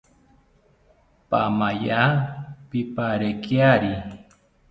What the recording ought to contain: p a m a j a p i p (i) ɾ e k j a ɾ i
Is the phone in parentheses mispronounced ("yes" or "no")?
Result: yes